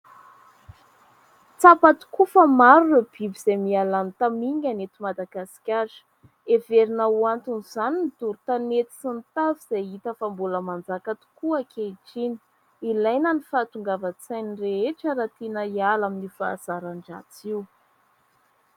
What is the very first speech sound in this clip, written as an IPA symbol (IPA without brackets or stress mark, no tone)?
t͡s